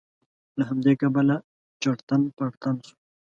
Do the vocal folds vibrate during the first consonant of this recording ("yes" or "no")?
yes